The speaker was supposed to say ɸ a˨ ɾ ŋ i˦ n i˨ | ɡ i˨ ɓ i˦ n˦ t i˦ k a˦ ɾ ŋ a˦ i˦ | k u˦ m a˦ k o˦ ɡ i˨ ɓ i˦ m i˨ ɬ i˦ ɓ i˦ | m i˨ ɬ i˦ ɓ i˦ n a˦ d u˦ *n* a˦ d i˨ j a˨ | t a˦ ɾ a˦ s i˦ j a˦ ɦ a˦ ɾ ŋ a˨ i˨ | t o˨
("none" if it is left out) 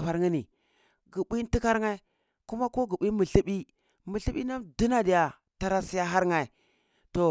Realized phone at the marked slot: n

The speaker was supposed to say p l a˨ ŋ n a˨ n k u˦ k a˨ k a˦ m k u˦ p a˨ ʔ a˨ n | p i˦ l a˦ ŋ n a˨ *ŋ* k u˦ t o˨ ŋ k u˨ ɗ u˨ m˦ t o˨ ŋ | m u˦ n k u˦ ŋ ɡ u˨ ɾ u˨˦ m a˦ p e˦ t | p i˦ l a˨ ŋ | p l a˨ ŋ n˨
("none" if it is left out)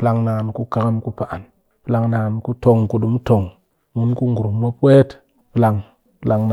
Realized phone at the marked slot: n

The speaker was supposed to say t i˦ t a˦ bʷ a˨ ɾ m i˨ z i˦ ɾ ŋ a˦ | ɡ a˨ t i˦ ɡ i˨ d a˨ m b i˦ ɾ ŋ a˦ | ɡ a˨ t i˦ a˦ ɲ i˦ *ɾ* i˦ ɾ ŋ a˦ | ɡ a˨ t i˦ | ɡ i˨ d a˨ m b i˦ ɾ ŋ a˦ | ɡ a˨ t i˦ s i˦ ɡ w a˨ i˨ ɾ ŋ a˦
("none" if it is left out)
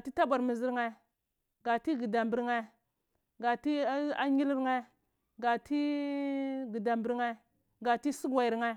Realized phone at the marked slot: l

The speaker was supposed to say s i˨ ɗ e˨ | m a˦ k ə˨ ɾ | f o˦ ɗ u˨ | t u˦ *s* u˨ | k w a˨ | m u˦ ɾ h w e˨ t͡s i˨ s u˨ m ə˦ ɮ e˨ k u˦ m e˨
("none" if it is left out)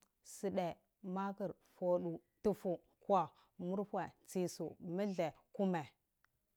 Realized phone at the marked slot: f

